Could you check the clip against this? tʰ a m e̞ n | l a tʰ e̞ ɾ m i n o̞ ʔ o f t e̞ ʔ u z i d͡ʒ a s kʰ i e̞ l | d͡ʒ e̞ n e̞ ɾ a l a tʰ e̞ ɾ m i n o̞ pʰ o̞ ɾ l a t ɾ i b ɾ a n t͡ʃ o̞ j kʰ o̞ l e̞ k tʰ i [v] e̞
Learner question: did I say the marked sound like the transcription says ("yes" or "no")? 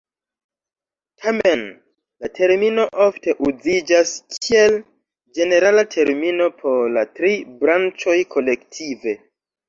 yes